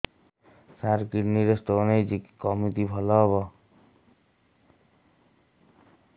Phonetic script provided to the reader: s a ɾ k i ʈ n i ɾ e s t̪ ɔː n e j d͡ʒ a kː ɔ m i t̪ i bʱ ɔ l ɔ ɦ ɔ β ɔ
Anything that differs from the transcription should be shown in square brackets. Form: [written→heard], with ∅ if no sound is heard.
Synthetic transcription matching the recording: s a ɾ k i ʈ n i ɾ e s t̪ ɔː n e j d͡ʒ [a→i] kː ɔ m i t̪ i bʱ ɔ l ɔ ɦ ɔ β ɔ